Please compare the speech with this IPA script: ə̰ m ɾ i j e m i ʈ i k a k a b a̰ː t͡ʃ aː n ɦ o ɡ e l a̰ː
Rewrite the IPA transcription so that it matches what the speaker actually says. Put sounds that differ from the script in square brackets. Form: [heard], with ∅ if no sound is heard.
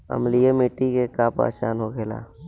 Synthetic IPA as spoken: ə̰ m [l] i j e m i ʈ i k [e] k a [p] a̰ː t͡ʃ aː n ɦ o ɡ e l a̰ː